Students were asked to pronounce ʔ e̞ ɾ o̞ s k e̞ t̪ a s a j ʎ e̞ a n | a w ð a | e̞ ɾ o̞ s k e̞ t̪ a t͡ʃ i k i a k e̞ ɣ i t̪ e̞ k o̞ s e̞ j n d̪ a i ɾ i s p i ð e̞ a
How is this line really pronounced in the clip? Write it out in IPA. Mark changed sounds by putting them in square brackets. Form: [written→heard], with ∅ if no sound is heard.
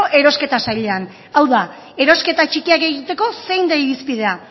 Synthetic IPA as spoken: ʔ e̞ ɾ o̞ s k e̞ t̪ a s a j ʎ e̞ a n | a w ð a | e̞ ɾ o̞ s k e̞ t̪ a t͡ʃ i k i a k e̞ ɣ i t̪ e̞ k o̞ s e̞ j n d̪ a i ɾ i s p i ð e̞ a